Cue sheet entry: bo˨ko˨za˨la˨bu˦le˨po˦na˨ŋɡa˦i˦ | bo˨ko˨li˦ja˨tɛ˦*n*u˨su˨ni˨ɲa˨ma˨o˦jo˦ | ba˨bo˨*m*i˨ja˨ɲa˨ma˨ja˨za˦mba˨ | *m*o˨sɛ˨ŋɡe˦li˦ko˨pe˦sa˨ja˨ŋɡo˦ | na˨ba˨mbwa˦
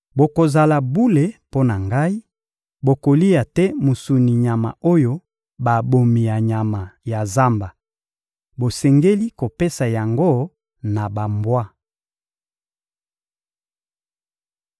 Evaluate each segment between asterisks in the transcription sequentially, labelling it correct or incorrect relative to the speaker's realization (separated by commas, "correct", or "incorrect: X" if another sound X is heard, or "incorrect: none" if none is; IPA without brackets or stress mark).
incorrect: m, correct, incorrect: b